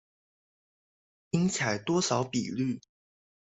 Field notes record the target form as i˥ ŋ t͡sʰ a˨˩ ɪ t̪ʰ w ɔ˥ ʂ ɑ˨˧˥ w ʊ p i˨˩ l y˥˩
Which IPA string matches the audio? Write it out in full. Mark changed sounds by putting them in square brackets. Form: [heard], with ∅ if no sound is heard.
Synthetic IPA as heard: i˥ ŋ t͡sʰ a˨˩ ɪ [t̪] w ɔ˥ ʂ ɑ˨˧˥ [∅] ʊ p i˨˩ l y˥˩